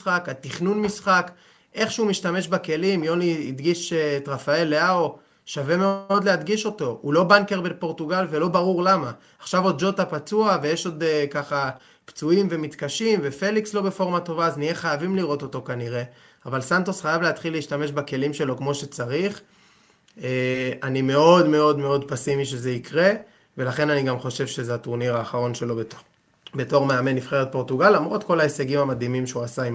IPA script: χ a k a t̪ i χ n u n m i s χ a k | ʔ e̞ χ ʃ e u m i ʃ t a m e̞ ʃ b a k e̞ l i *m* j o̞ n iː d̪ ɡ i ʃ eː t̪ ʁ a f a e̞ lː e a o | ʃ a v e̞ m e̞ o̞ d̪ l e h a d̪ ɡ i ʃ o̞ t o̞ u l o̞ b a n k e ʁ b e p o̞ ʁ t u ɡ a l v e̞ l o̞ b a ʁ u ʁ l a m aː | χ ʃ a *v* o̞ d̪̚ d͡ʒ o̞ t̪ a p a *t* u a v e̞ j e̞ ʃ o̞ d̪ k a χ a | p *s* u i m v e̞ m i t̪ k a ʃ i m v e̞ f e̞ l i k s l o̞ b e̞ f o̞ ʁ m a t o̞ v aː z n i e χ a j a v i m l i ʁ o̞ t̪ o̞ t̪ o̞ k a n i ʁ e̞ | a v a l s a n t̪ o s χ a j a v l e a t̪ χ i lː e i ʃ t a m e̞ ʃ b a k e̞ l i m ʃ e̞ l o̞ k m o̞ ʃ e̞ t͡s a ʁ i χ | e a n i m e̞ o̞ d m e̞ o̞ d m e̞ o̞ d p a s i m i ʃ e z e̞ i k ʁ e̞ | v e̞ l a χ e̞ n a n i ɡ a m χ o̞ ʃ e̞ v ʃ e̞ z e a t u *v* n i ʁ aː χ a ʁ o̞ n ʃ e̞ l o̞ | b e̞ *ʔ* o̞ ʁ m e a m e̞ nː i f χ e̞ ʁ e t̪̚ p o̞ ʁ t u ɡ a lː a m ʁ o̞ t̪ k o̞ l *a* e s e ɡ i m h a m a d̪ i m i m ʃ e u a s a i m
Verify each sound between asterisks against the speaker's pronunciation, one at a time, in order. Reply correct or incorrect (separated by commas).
correct, correct, incorrect, incorrect, incorrect, incorrect, correct